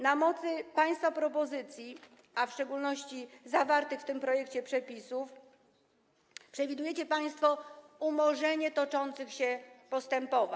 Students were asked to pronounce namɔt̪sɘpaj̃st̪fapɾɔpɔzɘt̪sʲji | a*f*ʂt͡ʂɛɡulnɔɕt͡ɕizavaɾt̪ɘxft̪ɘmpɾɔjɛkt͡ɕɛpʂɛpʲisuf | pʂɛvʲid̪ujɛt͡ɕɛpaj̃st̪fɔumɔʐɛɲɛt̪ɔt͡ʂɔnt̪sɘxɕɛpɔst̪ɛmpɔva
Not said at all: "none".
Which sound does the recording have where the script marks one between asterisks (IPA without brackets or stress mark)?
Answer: f